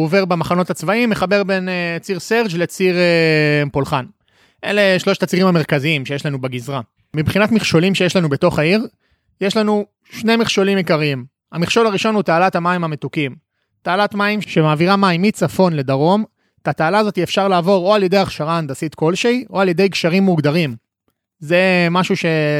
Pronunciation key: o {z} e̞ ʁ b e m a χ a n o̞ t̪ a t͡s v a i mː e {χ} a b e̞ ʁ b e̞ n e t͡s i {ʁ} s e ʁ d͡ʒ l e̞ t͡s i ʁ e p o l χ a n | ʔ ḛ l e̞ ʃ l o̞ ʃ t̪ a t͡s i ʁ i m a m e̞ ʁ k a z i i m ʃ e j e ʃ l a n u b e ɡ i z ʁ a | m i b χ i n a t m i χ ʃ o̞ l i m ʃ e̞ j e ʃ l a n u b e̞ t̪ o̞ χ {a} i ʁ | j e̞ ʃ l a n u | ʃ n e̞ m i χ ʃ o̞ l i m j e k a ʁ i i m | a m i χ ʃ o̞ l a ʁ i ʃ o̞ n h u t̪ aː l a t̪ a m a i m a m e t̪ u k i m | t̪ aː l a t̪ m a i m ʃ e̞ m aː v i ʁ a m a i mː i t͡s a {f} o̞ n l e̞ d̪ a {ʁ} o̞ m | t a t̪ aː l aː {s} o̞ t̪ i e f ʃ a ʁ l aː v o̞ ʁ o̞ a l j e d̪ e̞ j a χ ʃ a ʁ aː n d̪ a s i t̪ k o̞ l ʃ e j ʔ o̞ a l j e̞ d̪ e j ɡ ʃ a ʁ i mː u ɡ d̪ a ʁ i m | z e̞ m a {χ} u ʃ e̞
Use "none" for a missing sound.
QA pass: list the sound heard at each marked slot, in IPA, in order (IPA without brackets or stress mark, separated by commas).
v, χ, ʁ, a, f, ʁ, z, ʃ